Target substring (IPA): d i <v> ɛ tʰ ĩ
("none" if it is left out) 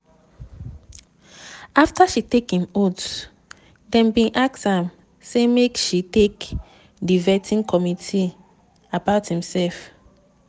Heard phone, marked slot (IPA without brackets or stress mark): v